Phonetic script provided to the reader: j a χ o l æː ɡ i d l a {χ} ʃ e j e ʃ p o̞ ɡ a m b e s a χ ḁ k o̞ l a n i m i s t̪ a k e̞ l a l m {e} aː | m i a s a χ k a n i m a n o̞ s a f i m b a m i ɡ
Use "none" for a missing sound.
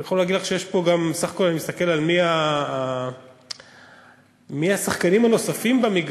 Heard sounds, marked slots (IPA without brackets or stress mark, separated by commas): χ, i